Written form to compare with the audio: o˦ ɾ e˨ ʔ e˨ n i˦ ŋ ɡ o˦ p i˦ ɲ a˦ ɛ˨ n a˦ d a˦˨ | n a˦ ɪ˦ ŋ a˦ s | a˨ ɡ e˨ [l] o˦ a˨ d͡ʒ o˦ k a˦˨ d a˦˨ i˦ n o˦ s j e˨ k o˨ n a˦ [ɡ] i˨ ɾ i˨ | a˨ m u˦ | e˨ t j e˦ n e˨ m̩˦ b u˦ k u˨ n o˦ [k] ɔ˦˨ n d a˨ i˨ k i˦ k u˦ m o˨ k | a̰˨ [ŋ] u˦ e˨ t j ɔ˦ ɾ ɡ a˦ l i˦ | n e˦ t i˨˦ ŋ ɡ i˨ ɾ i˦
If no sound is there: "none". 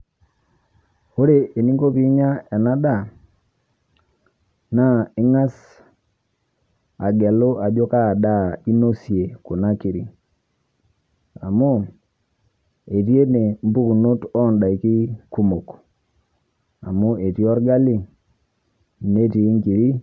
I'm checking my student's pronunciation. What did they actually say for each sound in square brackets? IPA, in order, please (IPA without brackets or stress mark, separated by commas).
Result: l, k, t, m